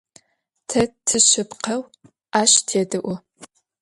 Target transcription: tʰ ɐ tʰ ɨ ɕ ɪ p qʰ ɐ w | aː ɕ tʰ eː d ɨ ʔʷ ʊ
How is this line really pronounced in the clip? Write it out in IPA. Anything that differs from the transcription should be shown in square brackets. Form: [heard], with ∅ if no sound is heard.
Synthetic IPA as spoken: tʰ ɐ tʰ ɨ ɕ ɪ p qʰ ɐ w | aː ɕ tʰ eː d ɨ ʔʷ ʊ